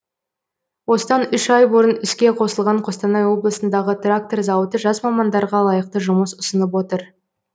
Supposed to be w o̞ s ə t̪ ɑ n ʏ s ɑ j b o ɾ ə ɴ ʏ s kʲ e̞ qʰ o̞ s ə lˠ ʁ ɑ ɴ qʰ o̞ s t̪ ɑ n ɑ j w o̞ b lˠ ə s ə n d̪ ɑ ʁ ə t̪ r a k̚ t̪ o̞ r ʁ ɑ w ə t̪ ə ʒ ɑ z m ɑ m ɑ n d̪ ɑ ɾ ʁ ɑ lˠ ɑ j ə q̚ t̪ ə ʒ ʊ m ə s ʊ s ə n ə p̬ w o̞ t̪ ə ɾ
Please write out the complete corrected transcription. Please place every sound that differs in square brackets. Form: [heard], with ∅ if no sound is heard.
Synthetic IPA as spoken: w o̞ s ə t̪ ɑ n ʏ [ʃ] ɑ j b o ɾ ə [n] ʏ s kʲ e̞ qʰ o̞ s ə lˠ ʁ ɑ ɴ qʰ o̞ s t̪ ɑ n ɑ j w o̞ b lˠ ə s ə n d̪ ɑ ʁ ə t̪ r a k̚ t̪ o̞ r [z] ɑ w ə t̪ ə ʒ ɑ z m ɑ m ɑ n d̪ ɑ ɾ ʁ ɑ lˠ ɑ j ə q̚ t̪ ə ʒ ʊ m ə s ʊ s ə n ə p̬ w o̞ t̪ ə ɾ